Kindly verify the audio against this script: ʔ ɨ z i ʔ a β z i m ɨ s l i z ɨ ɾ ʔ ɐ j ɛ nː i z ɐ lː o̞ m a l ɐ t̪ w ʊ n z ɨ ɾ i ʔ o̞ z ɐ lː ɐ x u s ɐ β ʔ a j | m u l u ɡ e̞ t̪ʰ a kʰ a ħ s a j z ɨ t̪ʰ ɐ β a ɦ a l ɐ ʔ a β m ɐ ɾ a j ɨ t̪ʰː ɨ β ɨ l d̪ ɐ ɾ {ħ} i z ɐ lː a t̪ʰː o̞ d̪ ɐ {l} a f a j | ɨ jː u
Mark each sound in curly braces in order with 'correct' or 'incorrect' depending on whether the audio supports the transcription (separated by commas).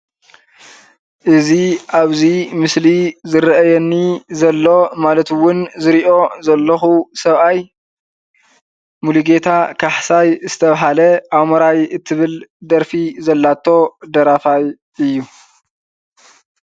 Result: incorrect, incorrect